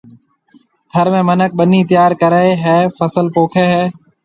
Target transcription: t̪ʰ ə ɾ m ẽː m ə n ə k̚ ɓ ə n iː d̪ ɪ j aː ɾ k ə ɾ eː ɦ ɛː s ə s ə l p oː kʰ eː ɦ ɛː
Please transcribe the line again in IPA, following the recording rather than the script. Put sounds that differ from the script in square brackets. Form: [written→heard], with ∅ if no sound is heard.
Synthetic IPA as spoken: t̪ʰ ə ɾ m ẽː m ə n ə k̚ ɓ ə n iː [d̪→t̪] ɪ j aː ɾ k ə ɾ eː ɦ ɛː [s→f] ə s ə l p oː kʰ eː ɦ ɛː